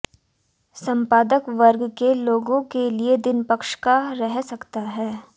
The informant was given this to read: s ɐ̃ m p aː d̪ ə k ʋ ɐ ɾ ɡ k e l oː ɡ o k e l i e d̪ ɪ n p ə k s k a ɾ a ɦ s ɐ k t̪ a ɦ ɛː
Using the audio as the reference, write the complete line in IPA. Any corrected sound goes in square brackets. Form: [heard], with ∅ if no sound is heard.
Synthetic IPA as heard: s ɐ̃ m p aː d̪ ə k ʋ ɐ ɾ ɡ k e l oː ɡ [õ] k e l i e d̪ ɪ n p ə k [ʃ] k a ɾ [ɛ] ɦ s ɐ k t̪ a ɦ ɛː